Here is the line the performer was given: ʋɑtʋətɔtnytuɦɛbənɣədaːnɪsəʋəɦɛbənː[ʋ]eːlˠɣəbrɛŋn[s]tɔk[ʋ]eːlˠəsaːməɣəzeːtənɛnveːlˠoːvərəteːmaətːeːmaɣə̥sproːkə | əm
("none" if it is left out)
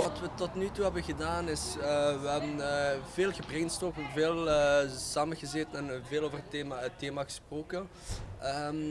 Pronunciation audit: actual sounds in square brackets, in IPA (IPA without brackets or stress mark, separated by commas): v, s, v